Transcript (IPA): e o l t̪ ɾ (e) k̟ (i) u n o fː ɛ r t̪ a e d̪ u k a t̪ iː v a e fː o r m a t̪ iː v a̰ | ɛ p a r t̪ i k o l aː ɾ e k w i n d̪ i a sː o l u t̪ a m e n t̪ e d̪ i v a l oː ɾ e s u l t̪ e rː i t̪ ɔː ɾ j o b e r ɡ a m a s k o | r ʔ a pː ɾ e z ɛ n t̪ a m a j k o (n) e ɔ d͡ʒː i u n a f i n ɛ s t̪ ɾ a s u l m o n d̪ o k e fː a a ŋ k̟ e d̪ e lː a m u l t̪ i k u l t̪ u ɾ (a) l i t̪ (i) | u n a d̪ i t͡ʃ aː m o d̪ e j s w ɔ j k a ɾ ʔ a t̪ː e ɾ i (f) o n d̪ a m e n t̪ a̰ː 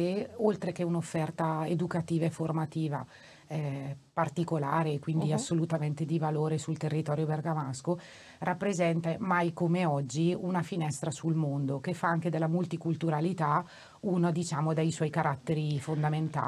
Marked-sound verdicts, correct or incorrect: correct, incorrect: e, incorrect: m, correct, incorrect: a, correct

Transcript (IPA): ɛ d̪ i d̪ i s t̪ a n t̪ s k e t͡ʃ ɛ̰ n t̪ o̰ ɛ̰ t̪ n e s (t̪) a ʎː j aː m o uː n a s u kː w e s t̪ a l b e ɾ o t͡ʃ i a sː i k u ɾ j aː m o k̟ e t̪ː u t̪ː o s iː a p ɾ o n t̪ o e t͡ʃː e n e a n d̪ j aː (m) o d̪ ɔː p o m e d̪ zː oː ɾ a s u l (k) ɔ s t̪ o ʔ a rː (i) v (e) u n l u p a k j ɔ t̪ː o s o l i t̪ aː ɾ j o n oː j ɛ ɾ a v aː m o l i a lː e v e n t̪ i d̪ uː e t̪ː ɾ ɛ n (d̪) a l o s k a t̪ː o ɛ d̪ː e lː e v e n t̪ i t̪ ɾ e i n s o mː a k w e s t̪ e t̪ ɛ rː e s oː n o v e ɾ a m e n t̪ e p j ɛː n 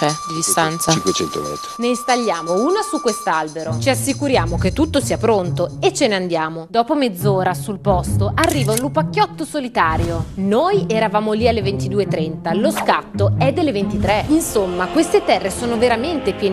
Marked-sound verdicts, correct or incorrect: correct, correct, incorrect: p, incorrect: iː, incorrect: a, incorrect: t̪

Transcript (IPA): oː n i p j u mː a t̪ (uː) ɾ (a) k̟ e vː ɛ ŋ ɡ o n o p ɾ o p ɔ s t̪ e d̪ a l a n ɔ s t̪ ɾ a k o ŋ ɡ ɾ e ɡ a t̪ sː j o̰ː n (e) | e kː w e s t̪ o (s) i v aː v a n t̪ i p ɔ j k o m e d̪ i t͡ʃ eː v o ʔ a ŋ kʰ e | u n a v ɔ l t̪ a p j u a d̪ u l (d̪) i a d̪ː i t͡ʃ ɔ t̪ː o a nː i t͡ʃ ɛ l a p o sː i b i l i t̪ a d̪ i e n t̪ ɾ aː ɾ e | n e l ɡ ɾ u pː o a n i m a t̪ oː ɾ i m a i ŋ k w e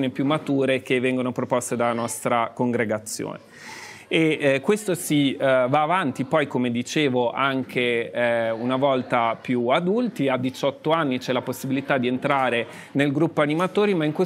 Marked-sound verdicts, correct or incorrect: correct, incorrect: e, correct, correct, incorrect: t̪

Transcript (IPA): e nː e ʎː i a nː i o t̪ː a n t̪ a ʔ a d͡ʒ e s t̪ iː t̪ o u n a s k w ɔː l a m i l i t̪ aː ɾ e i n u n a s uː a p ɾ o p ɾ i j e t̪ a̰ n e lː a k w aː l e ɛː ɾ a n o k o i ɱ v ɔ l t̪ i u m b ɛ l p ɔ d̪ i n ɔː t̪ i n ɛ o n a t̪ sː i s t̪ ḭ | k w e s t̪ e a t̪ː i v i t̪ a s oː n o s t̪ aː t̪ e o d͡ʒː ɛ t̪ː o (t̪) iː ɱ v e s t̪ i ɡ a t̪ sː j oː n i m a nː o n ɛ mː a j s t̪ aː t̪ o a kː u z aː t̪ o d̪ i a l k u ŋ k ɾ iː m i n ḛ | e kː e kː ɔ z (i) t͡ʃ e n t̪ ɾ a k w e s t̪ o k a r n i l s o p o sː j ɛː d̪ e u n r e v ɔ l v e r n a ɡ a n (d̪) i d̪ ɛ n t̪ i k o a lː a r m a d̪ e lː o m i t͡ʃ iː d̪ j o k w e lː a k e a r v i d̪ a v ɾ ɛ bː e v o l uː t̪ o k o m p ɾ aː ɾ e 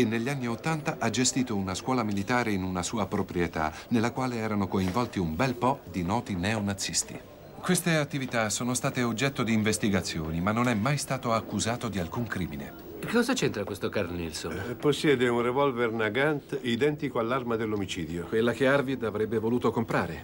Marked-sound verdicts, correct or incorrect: incorrect: d̪, incorrect: a, incorrect: t̪

